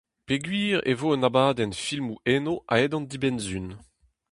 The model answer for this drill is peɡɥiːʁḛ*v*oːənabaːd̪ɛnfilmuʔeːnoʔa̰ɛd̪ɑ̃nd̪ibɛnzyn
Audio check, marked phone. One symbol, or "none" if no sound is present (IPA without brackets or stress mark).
v